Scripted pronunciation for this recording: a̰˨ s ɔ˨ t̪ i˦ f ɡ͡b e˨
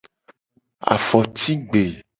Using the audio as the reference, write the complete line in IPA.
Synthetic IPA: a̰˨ f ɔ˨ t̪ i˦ ɡ͡b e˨